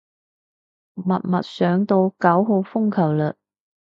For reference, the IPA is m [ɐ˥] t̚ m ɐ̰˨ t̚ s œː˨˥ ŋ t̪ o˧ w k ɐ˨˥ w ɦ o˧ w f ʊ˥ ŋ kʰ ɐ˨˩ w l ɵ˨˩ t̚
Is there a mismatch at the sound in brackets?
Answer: yes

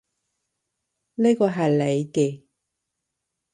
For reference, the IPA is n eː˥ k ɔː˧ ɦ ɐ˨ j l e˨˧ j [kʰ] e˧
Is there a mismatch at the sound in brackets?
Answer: yes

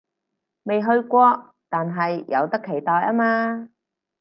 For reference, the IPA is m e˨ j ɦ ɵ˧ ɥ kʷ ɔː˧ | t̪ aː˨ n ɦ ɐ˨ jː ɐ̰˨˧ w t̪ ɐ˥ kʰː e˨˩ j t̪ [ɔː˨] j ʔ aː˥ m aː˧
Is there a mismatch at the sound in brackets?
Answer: no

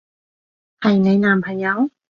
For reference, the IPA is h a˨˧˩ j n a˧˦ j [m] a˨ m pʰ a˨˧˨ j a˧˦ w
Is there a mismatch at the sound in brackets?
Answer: yes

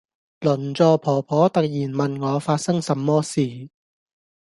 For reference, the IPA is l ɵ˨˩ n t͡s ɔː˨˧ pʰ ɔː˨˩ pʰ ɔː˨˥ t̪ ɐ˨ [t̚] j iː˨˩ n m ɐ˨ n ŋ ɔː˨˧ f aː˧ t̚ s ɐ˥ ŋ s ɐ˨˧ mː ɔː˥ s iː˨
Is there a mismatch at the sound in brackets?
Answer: yes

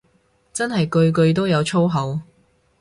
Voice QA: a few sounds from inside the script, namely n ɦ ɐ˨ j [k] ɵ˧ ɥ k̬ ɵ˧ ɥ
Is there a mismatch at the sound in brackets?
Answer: no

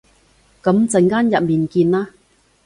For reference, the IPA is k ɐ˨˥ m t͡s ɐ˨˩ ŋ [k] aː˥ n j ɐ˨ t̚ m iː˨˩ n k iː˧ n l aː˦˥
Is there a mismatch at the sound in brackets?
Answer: no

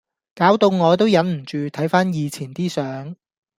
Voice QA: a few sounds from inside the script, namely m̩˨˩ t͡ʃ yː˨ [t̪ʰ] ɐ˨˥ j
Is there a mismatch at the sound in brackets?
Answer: no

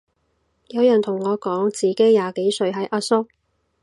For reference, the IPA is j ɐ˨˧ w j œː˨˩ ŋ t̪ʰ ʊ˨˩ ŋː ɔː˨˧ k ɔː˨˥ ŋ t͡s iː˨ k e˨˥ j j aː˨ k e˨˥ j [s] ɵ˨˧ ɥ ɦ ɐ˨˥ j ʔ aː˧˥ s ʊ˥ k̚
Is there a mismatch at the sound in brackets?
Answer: no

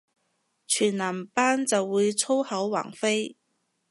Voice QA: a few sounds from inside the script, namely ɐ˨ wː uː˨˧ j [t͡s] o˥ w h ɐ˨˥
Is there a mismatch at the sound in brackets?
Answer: yes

